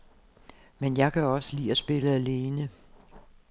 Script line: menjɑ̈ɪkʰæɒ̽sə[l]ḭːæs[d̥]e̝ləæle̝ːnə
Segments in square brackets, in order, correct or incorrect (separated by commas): correct, incorrect